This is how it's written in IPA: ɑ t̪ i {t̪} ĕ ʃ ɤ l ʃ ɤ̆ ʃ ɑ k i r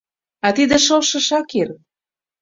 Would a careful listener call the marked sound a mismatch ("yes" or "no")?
yes